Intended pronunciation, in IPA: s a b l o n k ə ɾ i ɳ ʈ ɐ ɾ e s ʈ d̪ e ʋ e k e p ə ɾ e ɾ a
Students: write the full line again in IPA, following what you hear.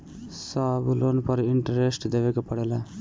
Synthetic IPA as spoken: s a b l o n p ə ɾ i ɳ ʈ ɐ ɾ e s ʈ d̪ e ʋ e k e p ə ɽ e l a